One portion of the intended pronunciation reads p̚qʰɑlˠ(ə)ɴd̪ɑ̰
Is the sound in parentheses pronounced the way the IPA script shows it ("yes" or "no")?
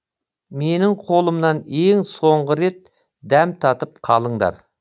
yes